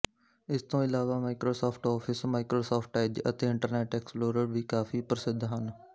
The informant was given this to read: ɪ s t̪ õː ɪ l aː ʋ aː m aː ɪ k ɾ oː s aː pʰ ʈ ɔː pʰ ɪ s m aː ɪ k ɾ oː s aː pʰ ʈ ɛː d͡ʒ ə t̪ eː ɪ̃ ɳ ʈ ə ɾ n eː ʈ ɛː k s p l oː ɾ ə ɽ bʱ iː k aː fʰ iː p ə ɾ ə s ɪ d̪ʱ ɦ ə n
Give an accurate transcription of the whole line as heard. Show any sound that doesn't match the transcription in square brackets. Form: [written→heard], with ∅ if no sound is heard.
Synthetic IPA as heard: ɪ s t̪ õː ɪ l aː ʋ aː m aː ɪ k ɾ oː s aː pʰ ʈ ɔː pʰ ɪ s m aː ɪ k ɾ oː s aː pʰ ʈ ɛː d͡ʒ ə t̪ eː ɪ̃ ɳ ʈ ə ɾ n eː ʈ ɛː k s p l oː ɾ ə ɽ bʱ iː k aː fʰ iː p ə ɾ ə s ɪ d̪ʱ ɦ ə n